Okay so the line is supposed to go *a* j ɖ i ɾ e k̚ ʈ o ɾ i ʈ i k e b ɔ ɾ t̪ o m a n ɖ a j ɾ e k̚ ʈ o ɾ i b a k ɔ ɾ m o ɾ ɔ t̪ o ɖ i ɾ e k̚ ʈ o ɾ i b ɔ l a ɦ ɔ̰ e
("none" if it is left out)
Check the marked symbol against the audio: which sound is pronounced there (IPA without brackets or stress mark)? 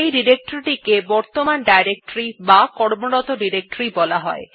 e